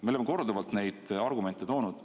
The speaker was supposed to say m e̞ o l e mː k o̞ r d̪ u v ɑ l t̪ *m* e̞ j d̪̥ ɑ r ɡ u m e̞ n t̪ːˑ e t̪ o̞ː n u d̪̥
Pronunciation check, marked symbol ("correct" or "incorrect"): incorrect